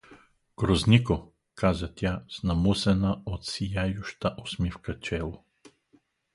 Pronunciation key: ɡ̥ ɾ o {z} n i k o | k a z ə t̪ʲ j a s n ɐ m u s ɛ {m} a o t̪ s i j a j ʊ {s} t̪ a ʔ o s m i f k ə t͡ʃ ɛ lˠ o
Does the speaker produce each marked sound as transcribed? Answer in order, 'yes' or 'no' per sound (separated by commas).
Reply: yes, no, no